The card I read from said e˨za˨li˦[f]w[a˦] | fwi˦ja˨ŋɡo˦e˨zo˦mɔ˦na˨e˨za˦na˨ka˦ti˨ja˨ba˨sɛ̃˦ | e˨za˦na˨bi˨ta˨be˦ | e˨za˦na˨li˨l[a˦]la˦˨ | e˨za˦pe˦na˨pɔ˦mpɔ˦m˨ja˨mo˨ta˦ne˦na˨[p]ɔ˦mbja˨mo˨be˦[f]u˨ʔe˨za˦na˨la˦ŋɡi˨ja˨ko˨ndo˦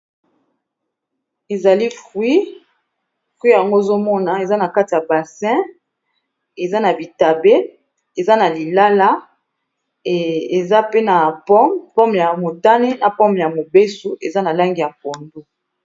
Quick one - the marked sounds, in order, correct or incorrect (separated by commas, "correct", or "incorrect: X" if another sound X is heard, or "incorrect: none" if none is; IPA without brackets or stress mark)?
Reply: correct, incorrect: i˦, correct, correct, incorrect: s